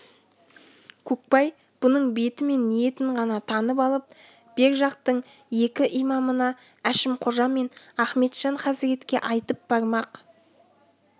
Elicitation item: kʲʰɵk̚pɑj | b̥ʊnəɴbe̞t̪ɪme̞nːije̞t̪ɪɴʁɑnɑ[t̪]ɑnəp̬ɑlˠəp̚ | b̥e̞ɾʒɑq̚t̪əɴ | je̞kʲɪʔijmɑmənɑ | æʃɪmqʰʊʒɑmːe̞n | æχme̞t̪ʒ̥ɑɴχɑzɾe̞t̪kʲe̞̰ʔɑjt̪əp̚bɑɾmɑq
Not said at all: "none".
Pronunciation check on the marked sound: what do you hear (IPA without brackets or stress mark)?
t̪ʰ